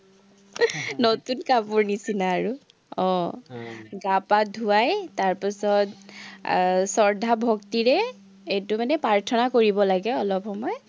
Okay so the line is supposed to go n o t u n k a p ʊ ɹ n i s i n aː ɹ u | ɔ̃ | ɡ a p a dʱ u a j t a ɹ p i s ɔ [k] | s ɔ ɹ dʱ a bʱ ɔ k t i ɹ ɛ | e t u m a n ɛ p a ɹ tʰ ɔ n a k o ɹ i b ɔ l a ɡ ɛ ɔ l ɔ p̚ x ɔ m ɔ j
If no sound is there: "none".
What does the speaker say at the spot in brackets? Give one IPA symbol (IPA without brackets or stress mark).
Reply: t